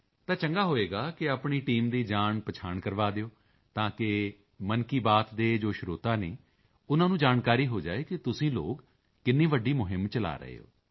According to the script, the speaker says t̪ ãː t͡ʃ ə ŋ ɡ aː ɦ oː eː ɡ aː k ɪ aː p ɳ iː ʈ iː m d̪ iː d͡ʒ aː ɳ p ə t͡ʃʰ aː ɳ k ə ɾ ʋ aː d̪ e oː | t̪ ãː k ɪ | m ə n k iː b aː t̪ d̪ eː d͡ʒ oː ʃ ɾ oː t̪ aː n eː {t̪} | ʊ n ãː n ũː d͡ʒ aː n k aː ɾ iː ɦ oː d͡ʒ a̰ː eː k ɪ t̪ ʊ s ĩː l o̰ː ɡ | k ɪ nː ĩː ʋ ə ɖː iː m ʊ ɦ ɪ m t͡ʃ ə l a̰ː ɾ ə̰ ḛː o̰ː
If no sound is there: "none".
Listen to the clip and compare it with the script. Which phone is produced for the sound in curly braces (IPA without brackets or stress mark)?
none